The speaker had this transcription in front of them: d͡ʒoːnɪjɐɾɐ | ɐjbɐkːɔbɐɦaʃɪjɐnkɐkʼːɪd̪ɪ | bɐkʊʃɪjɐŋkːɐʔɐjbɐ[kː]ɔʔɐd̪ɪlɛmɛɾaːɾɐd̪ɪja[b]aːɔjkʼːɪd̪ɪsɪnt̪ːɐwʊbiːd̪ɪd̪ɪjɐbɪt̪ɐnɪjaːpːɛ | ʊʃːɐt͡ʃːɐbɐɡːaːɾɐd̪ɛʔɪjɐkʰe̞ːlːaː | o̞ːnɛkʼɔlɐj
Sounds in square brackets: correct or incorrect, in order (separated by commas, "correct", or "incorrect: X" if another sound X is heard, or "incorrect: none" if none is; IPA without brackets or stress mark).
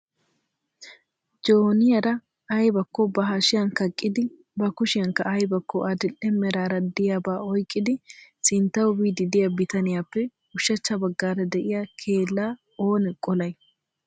correct, correct